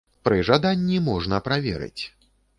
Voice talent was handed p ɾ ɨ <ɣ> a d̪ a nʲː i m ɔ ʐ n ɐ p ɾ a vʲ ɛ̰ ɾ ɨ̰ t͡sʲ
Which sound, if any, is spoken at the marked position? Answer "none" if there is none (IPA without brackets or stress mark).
ʐ